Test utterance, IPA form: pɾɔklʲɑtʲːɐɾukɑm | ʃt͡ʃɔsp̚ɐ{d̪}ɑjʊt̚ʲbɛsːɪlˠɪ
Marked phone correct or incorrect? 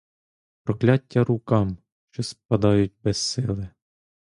correct